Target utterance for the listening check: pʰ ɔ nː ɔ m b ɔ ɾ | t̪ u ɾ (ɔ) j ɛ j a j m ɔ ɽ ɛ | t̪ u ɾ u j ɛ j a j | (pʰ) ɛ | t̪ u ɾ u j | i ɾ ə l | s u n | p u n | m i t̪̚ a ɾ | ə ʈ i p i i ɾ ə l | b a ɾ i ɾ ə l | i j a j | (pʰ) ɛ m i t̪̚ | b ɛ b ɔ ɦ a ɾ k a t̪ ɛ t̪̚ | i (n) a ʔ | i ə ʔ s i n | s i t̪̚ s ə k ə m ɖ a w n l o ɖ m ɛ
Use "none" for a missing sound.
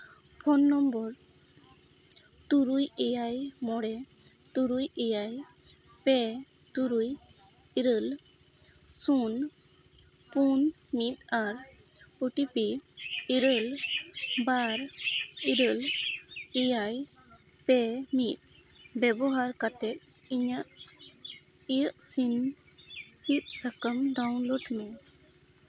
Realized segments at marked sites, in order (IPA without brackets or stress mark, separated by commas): u, p, p, ɲ